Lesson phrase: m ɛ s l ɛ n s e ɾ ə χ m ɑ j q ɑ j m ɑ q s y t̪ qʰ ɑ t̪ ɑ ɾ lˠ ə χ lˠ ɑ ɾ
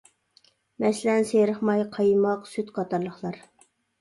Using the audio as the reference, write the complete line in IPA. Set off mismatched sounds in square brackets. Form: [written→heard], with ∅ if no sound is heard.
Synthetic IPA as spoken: m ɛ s l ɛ n s e ɾ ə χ m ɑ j [q→qʰ] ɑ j m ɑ q s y t̪ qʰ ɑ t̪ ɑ ɾ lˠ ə χ lˠ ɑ ɾ

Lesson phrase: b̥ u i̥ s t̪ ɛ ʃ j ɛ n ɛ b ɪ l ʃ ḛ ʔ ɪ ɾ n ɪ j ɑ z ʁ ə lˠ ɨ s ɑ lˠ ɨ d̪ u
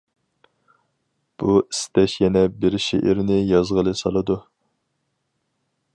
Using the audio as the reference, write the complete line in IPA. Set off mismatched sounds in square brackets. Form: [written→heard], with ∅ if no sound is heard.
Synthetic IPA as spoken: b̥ u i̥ s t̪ ɛ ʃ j ɛ n ɛ b ɪ [l→ɾ] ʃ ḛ ʔ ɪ ɾ n ɪ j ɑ z ʁ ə lˠ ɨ s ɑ lˠ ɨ d̪ u

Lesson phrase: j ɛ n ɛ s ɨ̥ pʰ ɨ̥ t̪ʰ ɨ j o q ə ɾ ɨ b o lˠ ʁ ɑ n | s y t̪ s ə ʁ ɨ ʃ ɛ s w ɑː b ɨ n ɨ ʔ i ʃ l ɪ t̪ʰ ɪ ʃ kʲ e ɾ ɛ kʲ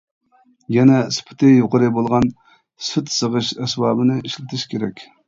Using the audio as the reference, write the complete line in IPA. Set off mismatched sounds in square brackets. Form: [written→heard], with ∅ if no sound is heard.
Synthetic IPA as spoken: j ɛ n ɛ s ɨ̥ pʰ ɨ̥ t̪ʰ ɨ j o q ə ɾ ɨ b o lˠ ʁ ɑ n | s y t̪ s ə ʁ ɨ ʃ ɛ s [w→b] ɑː b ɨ n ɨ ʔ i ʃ l ɪ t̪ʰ ɪ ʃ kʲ e ɾ ɛ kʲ

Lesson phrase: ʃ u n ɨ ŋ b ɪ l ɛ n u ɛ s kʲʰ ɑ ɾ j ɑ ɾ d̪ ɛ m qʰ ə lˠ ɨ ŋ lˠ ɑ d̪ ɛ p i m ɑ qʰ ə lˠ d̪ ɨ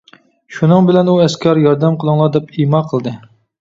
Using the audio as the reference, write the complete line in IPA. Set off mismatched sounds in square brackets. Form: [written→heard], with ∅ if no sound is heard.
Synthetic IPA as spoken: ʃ u n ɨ ŋ b ɪ l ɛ n u ɛ s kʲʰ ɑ ɾ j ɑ ɾ d̪ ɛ m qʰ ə lˠ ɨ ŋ lˠ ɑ d̪ ɛ p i m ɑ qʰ ə lˠ d̪ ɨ

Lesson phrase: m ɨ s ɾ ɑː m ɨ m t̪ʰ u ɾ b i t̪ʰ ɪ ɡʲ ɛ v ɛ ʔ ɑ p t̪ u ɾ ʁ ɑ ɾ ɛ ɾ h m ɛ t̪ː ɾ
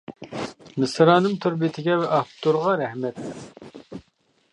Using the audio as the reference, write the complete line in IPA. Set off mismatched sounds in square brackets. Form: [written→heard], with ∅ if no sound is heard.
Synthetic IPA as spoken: m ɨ s ɾ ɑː [m→n] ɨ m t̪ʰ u ɾ b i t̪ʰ ɪ ɡʲ ɛ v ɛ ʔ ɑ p t̪ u ɾ ʁ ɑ ɾ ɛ [ɾ→∅] h m ɛ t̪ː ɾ

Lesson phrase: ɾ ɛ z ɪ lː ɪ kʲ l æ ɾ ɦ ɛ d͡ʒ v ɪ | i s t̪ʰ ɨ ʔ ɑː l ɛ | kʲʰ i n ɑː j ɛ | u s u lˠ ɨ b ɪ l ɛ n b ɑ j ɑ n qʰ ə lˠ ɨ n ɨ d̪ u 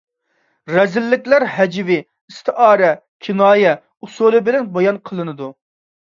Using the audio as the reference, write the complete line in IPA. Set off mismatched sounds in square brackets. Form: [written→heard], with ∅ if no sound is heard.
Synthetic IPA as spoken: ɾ ɛ z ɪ lː ɪ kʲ l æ ɾ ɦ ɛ d͡ʒ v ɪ | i s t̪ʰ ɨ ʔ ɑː [l→ɾ] ɛ | kʲʰ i n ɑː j ɛ | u s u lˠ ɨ b ɪ l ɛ n b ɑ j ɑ n qʰ ə lˠ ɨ n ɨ d̪ u

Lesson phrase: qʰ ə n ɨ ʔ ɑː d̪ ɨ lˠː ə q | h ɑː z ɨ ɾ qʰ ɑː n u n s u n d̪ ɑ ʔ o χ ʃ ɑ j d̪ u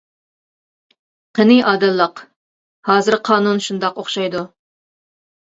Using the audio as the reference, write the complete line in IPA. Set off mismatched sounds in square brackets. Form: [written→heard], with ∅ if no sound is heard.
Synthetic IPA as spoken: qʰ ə n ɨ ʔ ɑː d̪ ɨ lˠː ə q | h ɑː z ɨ ɾ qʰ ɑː n u n [s→ʃ] u n d̪ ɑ [ʔ→q] o χ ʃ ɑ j d̪ u

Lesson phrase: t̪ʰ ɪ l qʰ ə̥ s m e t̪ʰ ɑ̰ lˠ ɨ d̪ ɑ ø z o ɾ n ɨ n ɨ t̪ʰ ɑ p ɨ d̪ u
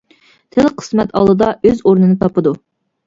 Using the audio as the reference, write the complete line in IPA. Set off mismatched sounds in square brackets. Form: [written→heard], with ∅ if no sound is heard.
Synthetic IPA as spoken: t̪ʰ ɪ l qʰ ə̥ s m [e→ɛ] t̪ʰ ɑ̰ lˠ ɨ d̪ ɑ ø z o ɾ n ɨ n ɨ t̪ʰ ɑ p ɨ d̪ u

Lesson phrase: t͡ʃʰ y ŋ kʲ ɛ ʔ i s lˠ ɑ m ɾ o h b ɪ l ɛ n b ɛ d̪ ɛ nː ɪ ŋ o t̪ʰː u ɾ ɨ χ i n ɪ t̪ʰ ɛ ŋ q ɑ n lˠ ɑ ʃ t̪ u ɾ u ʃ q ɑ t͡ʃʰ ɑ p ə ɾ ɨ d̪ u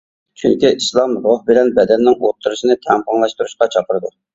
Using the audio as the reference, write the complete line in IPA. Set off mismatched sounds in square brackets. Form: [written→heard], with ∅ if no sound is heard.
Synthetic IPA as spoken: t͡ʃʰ y ŋ kʲ [ɛ→i] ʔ i s lˠ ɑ m ɾ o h b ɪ l ɛ n b ɛ d̪ ɛ nː ɪ ŋ o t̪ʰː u ɾ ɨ [χ→ʃ] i n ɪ t̪ʰ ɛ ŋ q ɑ [n→ŋ] lˠ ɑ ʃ t̪ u ɾ u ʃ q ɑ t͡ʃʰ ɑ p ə ɾ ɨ d̪ u

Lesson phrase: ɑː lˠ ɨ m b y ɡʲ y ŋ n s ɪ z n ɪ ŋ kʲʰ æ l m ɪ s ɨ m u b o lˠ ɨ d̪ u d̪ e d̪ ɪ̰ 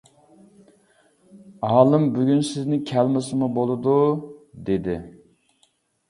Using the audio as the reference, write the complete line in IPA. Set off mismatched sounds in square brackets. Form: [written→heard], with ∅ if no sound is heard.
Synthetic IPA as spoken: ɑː lˠ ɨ m b y ɡʲ y [ŋ→∅] n s ɪ z n ɪ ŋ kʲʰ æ l m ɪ s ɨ m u b o lˠ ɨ d̪ u d̪ e d̪ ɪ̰

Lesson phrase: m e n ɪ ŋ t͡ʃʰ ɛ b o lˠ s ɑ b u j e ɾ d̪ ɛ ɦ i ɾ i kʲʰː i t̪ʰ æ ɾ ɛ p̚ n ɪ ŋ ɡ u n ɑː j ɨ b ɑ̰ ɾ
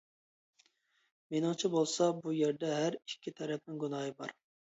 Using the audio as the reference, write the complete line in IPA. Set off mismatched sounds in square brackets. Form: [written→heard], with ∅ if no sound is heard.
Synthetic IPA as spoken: m e n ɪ ŋ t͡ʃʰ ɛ b o lˠ s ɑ b u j e ɾ d̪ ɛ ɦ [i→æ] ɾ i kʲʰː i t̪ʰ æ ɾ ɛ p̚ n ɪ ŋ ɡ u n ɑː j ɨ b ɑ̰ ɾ

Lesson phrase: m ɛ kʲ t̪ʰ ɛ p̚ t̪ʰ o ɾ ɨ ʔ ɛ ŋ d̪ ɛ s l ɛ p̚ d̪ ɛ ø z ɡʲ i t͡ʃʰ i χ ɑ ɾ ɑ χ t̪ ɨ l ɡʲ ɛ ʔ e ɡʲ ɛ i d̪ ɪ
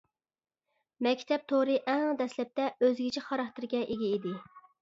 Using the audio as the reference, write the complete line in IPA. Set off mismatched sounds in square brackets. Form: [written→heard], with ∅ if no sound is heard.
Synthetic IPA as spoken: m ɛ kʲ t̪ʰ ɛ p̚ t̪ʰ o ɾ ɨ ʔ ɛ ŋ d̪ ɛ s l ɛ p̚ [d̪→t̪] ɛ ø z ɡʲ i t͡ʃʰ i χ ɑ ɾ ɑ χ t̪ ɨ [l→ɾ] ɡʲ ɛ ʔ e ɡʲ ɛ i d̪ ɪ

